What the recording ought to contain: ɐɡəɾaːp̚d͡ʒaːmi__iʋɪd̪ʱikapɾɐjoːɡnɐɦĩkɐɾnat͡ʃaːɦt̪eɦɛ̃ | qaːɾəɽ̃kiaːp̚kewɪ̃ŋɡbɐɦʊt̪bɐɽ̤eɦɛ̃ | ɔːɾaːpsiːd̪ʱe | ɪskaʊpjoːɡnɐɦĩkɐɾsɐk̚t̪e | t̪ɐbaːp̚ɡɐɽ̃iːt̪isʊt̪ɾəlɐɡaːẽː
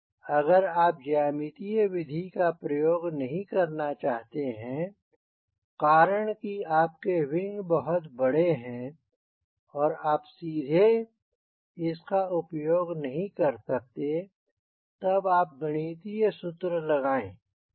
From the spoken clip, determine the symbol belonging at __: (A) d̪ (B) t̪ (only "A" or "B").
B